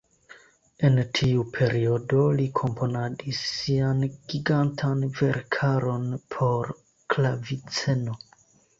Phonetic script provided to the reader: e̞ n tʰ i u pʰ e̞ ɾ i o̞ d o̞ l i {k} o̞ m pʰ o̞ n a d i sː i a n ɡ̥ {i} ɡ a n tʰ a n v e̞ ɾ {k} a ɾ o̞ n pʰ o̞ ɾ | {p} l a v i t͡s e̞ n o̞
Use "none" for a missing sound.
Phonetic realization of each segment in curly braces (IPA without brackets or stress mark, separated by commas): kʰ, i, kʰ, k